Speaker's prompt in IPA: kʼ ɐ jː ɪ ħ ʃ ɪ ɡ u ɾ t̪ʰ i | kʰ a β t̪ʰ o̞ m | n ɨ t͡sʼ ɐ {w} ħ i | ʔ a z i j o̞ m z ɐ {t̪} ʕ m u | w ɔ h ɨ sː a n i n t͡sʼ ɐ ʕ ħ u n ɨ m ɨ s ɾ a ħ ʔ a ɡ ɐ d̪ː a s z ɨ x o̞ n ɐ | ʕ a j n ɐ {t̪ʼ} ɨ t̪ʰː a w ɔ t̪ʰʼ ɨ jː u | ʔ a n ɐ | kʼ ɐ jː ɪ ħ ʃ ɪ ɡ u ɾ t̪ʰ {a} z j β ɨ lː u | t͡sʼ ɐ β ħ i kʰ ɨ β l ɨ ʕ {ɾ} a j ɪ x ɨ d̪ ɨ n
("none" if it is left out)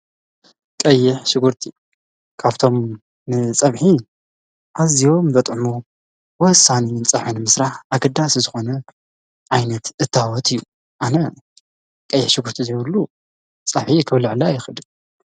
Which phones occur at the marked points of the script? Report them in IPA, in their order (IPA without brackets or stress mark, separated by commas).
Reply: β, t̪ʼ, t̪, i, l